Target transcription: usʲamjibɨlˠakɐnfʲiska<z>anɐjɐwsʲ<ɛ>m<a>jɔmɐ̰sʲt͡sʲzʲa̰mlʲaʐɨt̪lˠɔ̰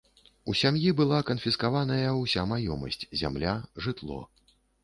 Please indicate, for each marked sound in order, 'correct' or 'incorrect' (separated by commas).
incorrect, incorrect, correct